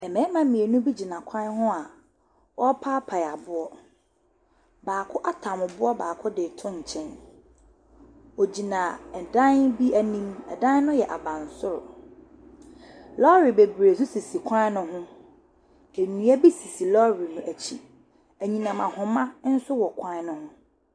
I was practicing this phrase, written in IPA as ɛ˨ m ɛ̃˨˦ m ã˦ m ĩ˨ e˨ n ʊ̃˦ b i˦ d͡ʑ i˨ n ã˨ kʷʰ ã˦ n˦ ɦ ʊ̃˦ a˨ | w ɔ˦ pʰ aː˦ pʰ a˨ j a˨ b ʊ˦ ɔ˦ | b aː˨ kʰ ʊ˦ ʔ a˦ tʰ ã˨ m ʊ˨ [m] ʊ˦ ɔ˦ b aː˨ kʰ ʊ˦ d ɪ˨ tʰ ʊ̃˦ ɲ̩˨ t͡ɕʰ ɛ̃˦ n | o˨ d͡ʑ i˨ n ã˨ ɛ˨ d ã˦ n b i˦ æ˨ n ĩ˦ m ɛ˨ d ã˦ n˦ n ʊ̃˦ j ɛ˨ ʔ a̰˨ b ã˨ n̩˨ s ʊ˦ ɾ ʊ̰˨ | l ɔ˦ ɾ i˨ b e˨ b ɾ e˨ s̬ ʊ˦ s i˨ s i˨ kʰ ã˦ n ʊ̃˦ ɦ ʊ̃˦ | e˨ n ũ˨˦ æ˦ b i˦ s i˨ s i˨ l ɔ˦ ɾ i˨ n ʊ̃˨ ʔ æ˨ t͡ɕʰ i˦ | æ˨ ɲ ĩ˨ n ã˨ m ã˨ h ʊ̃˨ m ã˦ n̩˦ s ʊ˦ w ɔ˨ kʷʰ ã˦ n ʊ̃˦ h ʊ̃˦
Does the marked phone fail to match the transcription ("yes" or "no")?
yes